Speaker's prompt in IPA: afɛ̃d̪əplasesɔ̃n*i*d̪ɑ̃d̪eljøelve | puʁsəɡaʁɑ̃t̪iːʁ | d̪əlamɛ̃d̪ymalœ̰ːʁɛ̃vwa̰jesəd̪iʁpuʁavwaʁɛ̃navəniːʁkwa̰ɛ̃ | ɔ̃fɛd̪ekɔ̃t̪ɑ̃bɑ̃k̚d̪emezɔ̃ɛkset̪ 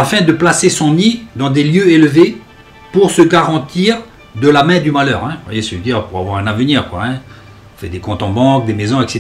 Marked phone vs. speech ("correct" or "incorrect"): correct